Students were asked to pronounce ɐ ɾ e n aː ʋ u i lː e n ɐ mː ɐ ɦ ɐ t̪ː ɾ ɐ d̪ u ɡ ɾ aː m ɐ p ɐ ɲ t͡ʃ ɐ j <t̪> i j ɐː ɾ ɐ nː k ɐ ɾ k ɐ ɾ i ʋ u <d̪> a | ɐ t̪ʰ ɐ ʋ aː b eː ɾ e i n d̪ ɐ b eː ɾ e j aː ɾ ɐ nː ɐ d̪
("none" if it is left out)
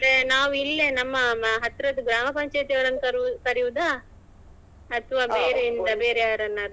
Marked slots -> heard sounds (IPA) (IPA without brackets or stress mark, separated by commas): t̪, d̪